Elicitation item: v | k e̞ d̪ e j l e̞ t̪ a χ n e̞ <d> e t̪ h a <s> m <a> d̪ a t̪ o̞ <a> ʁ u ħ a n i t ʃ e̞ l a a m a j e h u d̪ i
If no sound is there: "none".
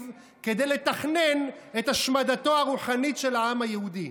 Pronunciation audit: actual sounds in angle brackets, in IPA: n, ʃ, a, a

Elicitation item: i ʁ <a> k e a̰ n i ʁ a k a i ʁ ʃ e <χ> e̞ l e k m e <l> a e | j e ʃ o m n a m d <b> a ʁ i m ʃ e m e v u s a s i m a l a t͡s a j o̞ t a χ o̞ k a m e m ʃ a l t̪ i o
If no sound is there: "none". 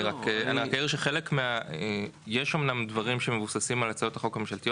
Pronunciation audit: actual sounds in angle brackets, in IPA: a, χ, none, v

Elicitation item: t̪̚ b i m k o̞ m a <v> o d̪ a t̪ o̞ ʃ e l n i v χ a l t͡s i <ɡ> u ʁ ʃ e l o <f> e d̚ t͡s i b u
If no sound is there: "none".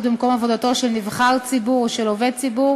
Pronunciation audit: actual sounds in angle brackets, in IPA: v, b, v

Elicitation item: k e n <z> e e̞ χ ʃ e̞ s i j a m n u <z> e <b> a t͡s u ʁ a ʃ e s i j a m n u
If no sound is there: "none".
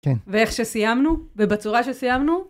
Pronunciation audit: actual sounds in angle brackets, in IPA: v, v, b

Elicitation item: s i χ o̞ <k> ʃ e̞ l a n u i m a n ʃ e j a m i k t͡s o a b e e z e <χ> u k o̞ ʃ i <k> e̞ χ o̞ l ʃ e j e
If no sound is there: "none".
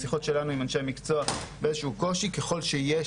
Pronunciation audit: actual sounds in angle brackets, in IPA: t, ʃ, k

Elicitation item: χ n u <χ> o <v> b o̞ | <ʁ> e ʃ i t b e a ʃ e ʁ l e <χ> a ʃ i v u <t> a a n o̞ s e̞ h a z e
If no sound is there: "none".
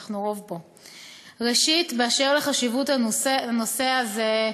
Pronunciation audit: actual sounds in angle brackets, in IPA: ʁ, v, ʁ, χ, t

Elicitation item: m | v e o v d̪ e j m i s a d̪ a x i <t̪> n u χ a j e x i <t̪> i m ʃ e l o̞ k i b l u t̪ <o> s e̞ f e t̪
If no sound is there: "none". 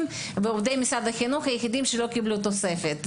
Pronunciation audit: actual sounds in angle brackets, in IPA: none, d̪, o

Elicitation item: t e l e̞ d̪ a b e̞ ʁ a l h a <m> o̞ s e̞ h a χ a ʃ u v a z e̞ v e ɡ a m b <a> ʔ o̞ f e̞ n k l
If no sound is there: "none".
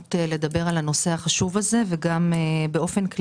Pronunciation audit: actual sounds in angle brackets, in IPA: n, e

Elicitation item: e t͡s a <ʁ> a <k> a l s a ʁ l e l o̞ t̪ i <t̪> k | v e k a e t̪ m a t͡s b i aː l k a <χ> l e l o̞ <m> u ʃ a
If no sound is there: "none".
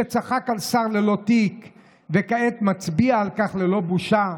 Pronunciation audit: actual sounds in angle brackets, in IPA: χ, k, none, χ, b

